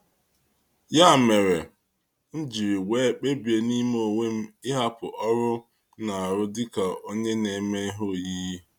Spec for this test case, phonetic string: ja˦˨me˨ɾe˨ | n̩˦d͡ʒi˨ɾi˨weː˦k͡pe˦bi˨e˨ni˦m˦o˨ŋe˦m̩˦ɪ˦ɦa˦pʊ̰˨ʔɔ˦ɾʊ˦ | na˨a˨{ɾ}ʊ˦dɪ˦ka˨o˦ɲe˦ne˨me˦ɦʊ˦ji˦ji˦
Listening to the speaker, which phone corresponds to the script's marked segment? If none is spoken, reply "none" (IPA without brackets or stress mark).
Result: ɾ